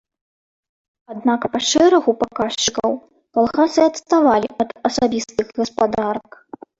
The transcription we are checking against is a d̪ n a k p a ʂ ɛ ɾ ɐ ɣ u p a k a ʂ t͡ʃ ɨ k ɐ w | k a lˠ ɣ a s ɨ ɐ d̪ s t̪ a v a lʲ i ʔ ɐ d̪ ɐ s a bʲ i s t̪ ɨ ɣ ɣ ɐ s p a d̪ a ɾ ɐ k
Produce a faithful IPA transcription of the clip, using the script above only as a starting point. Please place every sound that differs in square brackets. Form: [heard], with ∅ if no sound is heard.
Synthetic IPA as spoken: a d̪ n a k p a ʂ ɛ ɾ ɐ ɣ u p a k a ʂ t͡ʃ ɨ k ɐ w | k a lˠ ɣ a s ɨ ɐ [t̪] s t̪ a v a lʲ i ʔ ɐ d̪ ɐ s a bʲ i s t̪ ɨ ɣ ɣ ɐ s p a d̪ a ɾ ɐ k